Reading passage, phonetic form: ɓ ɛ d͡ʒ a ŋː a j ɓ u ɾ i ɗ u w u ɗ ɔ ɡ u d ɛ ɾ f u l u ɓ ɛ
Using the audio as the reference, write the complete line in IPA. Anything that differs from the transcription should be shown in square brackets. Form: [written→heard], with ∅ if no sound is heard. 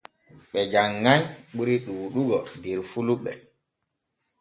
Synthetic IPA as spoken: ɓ ɛ d͡ʒ a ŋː a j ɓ u ɾ i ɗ u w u ɗ [ɔ→u] ɡ [u→ɔ] d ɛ ɾ f u l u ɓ ɛ